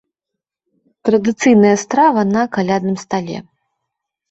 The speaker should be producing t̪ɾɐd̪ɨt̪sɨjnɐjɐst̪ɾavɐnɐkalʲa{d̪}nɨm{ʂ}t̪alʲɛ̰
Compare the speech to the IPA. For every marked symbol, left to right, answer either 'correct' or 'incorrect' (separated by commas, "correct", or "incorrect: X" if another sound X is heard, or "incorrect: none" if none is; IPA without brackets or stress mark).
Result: correct, incorrect: s